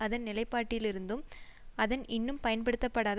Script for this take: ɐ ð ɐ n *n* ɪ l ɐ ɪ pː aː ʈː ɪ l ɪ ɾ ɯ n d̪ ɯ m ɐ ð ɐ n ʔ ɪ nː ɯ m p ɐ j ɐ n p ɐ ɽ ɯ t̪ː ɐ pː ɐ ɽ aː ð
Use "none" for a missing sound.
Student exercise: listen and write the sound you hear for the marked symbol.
n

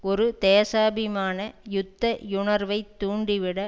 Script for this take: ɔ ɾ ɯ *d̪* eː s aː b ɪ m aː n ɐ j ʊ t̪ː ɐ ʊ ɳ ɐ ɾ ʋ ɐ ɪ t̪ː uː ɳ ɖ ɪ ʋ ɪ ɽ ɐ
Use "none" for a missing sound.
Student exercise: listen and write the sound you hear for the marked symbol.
t̪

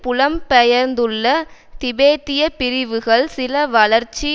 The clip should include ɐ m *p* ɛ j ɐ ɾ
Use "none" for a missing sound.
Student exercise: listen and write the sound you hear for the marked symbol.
p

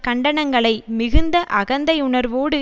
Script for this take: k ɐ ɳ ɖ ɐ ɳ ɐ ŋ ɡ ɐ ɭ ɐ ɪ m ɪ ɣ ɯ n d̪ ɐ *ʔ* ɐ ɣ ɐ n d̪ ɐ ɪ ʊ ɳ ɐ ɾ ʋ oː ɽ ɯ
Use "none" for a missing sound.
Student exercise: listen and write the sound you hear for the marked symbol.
ʔ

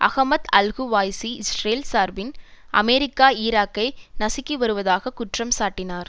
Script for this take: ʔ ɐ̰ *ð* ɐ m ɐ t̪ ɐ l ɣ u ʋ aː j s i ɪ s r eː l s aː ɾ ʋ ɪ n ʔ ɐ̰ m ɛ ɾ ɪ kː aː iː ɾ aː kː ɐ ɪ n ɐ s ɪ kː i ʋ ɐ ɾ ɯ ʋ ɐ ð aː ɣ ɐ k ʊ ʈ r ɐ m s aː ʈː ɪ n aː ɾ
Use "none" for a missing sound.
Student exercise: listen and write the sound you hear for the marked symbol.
ɣ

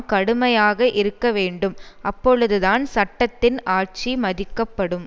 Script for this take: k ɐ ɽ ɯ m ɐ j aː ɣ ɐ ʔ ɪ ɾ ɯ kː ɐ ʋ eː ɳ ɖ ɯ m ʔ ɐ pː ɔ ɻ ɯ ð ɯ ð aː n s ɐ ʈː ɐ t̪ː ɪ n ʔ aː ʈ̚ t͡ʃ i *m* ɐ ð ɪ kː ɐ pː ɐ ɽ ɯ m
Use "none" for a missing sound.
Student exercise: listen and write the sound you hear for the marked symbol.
m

